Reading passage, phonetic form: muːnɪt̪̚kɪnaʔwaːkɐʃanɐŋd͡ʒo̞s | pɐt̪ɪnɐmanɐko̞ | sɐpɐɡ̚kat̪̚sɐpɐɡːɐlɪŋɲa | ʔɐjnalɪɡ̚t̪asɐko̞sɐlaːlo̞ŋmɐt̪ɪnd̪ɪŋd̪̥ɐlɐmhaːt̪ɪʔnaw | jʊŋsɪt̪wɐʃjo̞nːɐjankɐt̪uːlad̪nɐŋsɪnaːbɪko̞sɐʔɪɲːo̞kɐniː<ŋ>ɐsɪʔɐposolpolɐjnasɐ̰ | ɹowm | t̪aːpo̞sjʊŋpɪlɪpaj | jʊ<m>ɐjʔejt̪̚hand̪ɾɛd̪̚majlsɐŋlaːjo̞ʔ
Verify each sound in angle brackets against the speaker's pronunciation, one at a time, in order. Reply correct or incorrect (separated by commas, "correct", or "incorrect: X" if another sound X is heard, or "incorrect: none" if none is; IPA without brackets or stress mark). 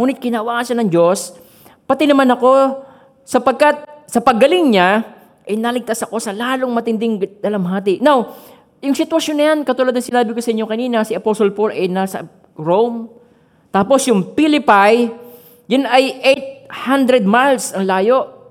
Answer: incorrect: n, incorrect: n